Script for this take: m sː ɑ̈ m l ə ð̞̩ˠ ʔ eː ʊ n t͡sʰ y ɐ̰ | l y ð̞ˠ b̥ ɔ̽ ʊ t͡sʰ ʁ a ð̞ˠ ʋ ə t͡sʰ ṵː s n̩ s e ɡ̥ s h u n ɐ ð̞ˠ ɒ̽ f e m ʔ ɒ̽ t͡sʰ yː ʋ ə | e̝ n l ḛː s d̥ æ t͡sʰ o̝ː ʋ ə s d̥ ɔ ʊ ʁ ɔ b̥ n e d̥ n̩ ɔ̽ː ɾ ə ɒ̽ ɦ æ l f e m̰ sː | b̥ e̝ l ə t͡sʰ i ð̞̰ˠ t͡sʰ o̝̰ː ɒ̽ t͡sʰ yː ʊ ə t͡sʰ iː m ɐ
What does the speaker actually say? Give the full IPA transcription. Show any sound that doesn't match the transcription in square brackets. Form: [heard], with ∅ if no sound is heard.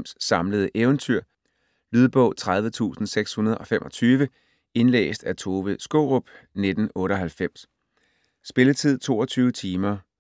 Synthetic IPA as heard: m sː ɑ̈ m l ə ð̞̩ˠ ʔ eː ʊ n t͡sʰ y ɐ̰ | l y ð̞ˠ b̥ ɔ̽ ʊ t͡sʰ ʁ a ð̞ˠ ʋ ə t͡sʰ ṵː s n̩ s e ɡ̥ s h u n ɐ ð̞ˠ ɒ̽ f e m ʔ ɒ̽ t͡sʰ yː ʋ ə | e̝ n l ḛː s d̥ æ t͡sʰ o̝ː ʋ ə s [ɡ̥] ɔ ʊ ʁ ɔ b̥ n e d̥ n̩ ɔ̽ː ɾ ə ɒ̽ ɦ æ l f e m̰ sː | b̥ e̝ l ə t͡sʰ i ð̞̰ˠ t͡sʰ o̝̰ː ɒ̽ t͡sʰ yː ʊ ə t͡sʰ iː m ɐ